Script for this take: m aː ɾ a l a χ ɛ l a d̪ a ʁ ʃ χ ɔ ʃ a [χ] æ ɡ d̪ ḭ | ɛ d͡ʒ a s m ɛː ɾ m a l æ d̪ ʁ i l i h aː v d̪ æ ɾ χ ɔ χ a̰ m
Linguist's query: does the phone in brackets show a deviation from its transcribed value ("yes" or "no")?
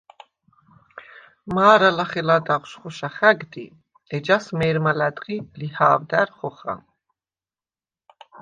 no